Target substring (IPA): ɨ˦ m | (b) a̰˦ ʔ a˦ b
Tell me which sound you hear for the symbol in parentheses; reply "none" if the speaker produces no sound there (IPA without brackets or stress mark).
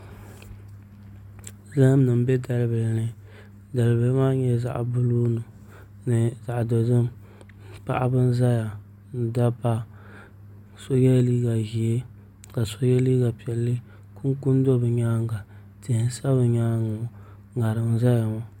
p